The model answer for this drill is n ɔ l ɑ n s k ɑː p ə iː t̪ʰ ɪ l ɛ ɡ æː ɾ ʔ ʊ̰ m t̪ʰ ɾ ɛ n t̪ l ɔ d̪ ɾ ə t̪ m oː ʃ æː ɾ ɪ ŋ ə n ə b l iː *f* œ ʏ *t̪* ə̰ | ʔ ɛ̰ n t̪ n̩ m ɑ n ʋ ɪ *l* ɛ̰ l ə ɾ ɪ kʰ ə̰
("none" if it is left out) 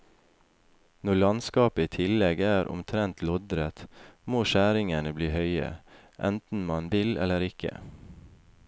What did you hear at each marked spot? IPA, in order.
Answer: h, none, l

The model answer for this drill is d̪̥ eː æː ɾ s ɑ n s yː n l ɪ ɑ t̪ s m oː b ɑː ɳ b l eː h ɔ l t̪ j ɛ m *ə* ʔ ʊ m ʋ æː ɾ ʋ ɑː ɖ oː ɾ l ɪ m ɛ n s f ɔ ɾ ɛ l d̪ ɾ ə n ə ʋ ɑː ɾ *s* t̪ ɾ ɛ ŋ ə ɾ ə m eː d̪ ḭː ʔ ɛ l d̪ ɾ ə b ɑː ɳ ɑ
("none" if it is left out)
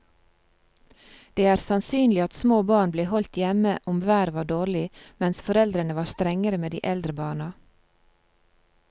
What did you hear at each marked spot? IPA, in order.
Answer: ə, s

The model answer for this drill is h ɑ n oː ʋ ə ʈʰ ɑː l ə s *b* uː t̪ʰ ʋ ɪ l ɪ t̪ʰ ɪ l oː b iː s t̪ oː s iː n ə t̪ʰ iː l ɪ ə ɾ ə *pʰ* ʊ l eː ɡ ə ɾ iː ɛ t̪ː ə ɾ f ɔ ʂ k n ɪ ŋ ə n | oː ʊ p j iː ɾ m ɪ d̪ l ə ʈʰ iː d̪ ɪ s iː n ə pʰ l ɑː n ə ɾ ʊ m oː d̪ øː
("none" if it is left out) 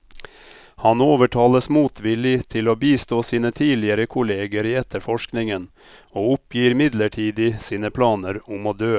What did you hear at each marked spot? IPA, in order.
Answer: m, kʰ

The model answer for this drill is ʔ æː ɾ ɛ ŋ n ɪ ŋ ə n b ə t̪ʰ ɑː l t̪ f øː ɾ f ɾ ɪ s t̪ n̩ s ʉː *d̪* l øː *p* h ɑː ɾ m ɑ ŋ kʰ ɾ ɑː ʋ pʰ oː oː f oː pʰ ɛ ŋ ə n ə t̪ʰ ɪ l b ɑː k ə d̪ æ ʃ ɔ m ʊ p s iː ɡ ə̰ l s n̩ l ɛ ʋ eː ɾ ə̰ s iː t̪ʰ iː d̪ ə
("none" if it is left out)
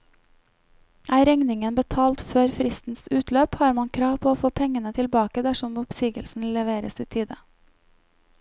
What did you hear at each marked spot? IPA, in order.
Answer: t̪, p

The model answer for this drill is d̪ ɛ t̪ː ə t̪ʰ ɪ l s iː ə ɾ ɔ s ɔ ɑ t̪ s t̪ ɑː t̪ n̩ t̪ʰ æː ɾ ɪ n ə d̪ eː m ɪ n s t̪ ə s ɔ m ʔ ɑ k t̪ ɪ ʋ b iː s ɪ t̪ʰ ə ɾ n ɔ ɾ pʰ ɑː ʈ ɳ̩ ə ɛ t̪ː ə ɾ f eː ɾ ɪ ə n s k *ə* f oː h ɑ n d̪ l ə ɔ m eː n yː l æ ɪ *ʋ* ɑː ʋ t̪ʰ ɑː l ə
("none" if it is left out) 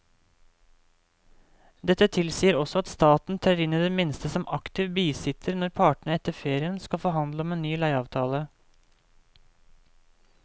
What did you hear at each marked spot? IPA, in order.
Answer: ɑ, none

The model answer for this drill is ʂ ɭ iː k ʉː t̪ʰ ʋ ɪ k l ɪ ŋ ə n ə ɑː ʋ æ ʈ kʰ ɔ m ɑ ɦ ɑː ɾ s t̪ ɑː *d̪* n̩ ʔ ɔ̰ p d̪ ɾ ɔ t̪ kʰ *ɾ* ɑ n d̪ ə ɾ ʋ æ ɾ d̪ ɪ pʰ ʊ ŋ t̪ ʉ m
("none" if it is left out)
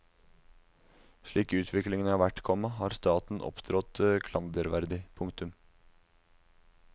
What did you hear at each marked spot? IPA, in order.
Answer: t̪, l

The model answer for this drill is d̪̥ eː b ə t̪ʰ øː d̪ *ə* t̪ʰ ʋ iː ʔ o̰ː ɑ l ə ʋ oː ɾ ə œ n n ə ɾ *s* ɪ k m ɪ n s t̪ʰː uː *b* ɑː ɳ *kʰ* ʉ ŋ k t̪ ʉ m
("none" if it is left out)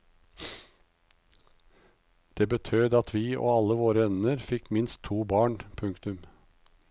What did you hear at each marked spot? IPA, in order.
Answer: ɑ, f, b, pʰ

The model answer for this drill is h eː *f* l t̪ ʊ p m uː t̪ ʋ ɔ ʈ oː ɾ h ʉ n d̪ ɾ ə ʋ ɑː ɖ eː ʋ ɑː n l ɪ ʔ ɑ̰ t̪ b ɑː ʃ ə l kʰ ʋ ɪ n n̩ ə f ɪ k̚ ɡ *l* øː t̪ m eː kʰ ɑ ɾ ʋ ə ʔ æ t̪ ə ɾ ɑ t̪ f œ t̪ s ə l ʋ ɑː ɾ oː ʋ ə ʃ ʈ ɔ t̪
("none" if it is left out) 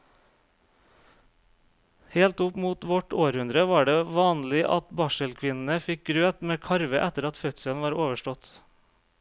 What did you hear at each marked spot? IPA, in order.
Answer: none, ɾ

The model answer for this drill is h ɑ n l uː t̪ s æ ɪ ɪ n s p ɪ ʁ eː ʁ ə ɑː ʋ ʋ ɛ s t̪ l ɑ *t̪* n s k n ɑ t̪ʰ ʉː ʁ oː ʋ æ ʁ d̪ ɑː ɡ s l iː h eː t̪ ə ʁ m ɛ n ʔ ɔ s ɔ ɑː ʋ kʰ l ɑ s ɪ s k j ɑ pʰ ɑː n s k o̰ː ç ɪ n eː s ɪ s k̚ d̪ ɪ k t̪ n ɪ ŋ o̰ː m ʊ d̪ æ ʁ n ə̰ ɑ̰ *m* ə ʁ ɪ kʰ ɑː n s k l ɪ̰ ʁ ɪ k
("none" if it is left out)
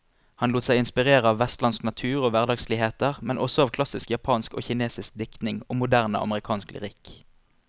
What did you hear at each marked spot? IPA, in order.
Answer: none, m

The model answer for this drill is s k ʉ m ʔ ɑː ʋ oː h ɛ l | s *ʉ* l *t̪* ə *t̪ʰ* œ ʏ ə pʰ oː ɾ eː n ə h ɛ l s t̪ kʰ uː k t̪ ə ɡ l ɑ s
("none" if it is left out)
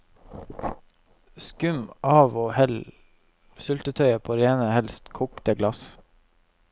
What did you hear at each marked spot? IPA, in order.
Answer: ʉ, t̪, t̪ʰ

